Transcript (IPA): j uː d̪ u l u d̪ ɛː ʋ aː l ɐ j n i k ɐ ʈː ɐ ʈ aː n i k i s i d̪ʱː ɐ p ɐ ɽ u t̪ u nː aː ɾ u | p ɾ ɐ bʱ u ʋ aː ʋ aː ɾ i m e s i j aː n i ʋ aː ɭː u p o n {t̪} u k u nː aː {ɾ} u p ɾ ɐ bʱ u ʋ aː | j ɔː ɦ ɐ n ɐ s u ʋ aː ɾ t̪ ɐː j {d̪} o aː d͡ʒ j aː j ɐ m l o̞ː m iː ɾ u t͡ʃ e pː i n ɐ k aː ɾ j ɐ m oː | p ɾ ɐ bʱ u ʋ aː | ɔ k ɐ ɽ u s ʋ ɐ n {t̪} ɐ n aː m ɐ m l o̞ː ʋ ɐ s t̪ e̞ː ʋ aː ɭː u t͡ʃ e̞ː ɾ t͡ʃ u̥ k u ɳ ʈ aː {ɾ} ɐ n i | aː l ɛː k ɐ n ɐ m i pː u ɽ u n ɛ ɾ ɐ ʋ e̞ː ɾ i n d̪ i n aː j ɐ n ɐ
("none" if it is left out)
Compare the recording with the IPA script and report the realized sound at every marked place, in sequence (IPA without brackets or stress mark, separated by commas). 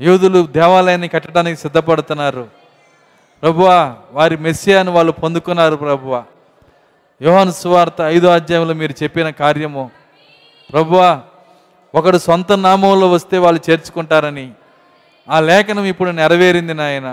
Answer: d̪, ɾ, d̪, t̪, ɾ